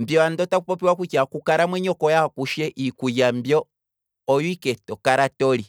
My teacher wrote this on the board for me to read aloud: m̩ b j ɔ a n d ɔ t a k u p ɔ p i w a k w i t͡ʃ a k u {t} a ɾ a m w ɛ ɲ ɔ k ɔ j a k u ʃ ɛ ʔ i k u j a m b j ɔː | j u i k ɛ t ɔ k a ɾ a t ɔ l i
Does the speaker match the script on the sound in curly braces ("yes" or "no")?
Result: no